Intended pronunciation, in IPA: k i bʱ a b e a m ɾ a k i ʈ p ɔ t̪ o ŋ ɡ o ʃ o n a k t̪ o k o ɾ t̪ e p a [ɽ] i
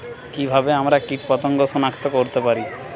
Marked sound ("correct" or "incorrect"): incorrect